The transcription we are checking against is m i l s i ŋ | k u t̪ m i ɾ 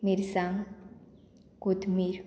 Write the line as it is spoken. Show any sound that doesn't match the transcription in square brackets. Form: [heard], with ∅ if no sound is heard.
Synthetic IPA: m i [ɾ] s [a] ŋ | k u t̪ m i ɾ